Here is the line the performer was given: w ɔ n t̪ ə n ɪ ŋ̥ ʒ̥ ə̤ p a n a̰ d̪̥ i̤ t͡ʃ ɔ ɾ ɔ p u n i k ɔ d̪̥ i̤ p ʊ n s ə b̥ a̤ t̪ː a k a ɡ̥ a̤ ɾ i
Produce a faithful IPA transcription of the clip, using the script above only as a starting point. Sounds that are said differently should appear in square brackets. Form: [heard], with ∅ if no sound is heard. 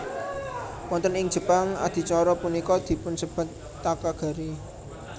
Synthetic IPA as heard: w ɔ n t̪ ə n ɪ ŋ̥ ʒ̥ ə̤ p a [ŋ] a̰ d̪̥ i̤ t͡ʃ ɔ ɾ ɔ p u n i k ɔ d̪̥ i̤ p ʊ n s ə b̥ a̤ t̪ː a k a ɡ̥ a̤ ɾ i